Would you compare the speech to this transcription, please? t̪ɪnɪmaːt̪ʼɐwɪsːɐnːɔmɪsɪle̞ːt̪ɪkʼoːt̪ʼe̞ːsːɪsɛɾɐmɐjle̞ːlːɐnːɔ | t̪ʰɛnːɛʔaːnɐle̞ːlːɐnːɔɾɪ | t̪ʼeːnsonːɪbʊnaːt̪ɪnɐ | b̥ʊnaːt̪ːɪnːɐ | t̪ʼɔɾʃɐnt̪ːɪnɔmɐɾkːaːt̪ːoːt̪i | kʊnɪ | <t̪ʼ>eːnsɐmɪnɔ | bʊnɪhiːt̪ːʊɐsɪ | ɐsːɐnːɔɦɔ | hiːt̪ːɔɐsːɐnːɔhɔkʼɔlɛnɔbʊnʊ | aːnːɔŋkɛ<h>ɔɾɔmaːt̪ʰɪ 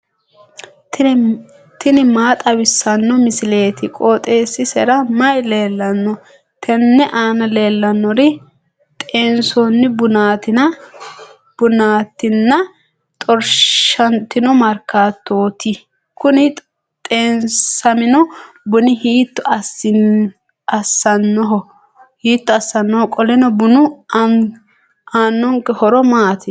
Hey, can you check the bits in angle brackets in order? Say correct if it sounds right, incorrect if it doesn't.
correct, correct

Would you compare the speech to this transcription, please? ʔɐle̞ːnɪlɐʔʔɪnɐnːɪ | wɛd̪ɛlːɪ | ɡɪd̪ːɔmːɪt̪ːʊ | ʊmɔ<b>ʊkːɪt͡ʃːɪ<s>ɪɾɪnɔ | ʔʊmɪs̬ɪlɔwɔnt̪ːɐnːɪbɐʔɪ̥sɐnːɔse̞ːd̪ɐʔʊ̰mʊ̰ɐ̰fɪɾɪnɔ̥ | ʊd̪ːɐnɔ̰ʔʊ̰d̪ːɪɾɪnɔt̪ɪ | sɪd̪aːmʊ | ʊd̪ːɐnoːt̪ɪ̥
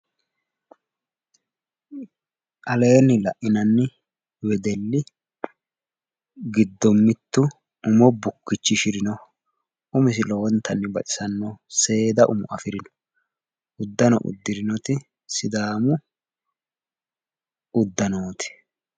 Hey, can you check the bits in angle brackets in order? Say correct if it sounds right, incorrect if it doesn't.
correct, incorrect: ʃ

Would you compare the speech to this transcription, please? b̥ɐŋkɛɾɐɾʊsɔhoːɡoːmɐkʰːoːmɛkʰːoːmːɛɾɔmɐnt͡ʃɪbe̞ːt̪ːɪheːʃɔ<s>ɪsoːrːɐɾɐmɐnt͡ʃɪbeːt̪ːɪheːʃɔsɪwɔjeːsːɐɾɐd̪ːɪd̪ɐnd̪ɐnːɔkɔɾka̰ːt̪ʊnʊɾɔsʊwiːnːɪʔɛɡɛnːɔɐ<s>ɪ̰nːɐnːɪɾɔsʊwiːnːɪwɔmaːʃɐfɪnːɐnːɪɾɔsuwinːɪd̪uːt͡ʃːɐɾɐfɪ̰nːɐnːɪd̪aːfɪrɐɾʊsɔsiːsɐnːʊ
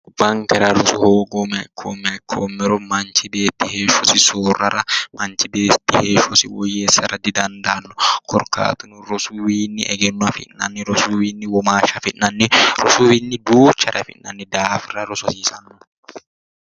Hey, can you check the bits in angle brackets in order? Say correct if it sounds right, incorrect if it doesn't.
correct, incorrect: f

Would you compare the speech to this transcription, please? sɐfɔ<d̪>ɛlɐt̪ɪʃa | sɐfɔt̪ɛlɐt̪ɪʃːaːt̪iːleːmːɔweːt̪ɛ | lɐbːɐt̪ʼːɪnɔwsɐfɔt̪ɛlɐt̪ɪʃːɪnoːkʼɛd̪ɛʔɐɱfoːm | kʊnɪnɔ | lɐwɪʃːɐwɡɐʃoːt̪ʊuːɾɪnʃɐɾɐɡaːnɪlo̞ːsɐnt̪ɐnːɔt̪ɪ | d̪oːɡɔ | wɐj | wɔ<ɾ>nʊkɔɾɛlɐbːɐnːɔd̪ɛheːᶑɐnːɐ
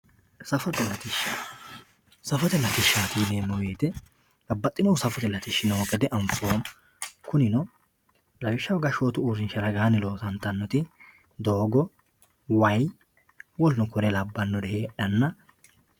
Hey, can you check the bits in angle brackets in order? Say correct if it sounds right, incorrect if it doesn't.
incorrect: t̪, incorrect: l

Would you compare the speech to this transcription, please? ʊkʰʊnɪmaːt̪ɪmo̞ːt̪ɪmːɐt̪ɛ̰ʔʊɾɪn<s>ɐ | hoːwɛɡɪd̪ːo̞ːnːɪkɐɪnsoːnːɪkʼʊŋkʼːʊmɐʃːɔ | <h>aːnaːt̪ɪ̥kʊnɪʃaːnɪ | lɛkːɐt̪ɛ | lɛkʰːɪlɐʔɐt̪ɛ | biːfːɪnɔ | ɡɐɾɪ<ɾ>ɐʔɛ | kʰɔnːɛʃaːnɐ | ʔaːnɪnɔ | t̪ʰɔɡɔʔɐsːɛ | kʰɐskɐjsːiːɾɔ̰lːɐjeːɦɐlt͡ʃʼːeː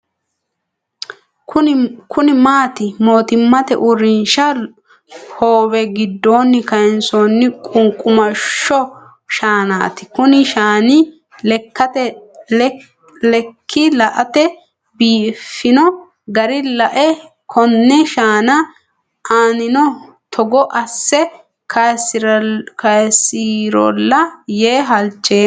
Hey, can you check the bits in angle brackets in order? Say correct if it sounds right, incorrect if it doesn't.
incorrect: ʃ, incorrect: ʃ, incorrect: l

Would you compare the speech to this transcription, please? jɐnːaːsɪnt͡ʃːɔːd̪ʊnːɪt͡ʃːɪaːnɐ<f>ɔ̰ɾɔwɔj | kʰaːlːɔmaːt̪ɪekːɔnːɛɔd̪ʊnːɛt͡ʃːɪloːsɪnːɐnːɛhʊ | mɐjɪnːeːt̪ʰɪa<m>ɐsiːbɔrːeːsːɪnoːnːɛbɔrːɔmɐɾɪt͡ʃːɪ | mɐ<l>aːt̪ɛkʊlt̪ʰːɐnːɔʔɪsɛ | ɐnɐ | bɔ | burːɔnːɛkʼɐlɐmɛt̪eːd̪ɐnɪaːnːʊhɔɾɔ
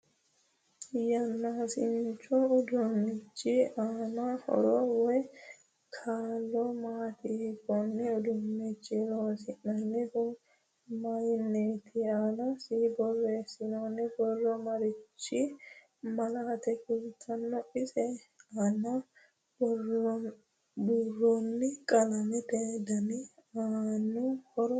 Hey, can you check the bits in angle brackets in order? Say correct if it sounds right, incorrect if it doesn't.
incorrect: h, incorrect: n, correct

